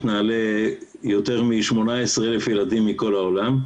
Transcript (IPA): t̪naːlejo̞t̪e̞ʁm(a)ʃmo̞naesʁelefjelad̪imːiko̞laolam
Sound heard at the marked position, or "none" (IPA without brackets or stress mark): i